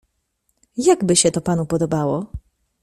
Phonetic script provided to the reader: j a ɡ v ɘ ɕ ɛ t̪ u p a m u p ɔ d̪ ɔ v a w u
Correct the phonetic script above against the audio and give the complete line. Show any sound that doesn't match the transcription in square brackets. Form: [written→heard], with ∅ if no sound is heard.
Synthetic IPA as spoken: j a ɡ [v→b] ɘ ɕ ɛ t̪ [u→ɔ] p a [m→n] u p ɔ d̪ ɔ [v→b] a w [u→ɔ]